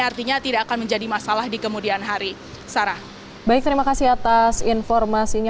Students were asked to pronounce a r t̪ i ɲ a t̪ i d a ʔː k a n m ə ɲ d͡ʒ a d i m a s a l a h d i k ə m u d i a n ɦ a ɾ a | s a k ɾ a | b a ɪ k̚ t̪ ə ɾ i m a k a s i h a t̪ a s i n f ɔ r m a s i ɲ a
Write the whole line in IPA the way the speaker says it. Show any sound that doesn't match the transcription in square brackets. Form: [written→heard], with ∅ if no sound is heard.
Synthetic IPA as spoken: a r t̪ i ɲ a t̪ i d a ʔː k a n m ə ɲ d͡ʒ a d i m a s a l a h d i k ə m u d i a n ɦ a ɾ [a→i] | s a [k→∅] ɾ a | b a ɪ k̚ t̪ ə ɾ i m a k a s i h a t̪ a s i n f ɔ r m a s i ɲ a

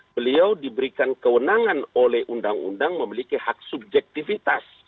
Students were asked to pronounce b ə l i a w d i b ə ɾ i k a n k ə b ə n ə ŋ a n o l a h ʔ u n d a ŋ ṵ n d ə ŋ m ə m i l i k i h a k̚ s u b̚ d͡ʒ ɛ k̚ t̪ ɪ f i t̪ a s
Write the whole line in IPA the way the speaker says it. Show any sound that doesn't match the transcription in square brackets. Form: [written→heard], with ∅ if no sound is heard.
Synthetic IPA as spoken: b ə l i a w d i b ə ɾ i k a n k ə [b→w] ə n [ə→a] ŋ a n o l [a→ɛ] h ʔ u n d a ŋ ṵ n d [ə→a] ŋ m ə m i l i k i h a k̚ s u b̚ d͡ʒ ɛ k̚ t̪ [ɪ→i] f i t̪ a s

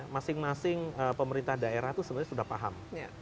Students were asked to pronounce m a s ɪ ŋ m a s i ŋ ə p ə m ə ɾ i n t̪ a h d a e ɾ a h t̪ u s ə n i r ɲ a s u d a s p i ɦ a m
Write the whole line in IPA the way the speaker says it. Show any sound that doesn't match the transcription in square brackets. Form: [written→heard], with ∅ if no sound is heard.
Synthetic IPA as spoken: m a s ɪ ŋ m a s [i→ɪ] ŋ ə p ə m ə ɾ i n t̪ a h d a e ɾ a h t̪ u s ə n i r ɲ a s u d a [s→h] p [i→a] ɦ a m

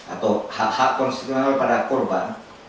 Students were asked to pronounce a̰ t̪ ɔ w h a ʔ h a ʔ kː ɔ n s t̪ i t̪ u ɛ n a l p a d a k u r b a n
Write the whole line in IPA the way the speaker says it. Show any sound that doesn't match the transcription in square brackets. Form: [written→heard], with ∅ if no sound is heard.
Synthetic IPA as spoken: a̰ t̪ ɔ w h a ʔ h a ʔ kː ɔ n s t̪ i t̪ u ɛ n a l p a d a k [u→ɔ] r b a n

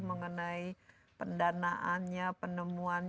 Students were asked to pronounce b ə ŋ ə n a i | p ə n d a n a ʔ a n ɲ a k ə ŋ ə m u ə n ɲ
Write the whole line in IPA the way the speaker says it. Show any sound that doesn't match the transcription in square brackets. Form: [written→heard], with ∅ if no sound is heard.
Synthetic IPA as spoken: [b→m] ə ŋ ə n a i | p ə n d a n a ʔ a n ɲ a [k→p] ə [ŋ→n] ə m u [ə→a] n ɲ

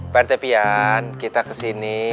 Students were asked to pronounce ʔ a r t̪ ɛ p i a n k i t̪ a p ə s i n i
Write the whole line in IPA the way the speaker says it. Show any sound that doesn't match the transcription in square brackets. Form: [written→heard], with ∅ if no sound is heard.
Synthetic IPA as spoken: [ʔ→p] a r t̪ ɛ p i a n k i t̪ a [p→k] ə s i n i

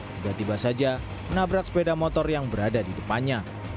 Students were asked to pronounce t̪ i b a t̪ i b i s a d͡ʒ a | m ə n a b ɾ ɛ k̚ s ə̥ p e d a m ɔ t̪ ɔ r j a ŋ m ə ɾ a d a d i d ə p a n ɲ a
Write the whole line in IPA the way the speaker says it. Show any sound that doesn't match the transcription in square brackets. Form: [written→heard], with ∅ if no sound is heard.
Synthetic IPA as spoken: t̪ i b a t̪ i b [i→a] s a d͡ʒ a | m ə n a b ɾ [ɛ→a] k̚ s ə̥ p e d a m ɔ t̪ ɔ r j a ŋ [m→b] ə ɾ a d a d i d ə p a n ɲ a

